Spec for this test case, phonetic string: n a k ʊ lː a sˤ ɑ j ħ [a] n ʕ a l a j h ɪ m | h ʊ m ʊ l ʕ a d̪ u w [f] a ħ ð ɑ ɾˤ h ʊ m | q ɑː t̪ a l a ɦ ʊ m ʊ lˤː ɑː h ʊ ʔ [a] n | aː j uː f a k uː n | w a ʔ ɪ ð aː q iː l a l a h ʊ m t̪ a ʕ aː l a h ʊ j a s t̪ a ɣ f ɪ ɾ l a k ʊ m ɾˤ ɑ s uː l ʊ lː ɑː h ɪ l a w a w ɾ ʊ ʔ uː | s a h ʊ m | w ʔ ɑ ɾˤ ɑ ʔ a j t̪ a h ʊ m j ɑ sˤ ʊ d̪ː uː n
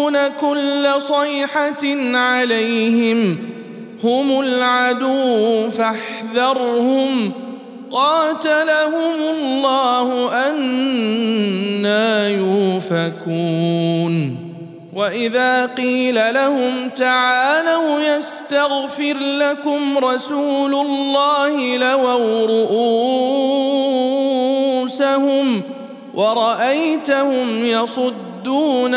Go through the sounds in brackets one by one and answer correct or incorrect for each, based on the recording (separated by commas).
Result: correct, correct, correct